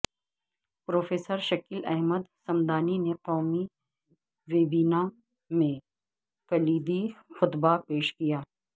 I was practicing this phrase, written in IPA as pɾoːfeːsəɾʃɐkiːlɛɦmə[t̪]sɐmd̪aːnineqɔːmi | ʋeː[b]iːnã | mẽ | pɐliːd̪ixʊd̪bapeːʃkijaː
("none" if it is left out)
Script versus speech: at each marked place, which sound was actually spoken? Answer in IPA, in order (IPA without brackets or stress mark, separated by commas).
d̪, b